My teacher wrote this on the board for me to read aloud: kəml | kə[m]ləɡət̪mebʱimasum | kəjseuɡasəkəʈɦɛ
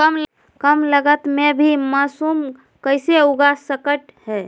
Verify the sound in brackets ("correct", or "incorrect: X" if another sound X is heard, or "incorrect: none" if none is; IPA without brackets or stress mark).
correct